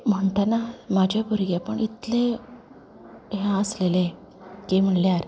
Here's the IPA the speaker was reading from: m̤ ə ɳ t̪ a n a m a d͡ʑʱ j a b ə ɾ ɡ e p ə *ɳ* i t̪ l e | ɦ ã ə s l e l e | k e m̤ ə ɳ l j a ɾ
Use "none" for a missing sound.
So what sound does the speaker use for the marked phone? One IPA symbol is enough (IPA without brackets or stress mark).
ɳ